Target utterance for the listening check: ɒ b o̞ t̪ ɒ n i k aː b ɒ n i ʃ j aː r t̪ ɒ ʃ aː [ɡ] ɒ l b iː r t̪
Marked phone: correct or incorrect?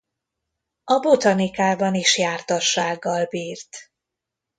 incorrect